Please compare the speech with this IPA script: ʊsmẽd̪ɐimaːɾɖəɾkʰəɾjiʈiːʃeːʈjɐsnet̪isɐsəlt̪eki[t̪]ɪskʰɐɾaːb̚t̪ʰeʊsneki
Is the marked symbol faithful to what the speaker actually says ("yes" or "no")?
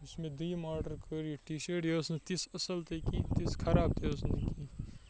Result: yes